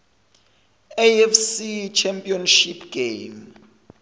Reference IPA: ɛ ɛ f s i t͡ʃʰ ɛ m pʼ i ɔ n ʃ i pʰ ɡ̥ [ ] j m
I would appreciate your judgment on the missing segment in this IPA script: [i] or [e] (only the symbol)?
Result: e